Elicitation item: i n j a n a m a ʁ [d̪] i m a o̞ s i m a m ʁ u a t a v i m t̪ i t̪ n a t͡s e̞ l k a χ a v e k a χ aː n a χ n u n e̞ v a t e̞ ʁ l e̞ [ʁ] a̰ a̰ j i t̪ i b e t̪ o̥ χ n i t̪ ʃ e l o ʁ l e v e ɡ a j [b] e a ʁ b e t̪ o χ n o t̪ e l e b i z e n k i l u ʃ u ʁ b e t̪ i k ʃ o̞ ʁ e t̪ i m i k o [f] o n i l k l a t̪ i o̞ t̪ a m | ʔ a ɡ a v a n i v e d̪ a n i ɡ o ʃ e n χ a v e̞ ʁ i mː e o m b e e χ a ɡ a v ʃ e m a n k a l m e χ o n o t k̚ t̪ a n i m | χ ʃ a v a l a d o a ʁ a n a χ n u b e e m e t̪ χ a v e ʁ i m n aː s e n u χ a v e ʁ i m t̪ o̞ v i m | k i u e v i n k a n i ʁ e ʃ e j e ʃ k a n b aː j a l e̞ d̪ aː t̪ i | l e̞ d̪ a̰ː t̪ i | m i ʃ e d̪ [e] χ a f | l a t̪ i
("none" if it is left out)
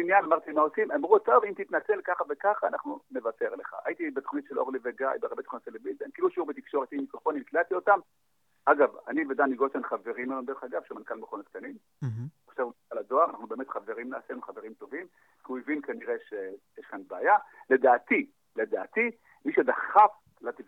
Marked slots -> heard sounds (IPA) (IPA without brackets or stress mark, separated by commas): t̪, χ, b, f, a